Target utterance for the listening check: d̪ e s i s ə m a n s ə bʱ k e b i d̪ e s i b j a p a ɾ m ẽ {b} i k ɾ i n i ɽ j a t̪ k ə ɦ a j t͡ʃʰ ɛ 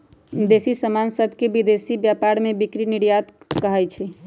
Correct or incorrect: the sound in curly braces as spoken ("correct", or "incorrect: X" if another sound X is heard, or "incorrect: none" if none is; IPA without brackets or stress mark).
correct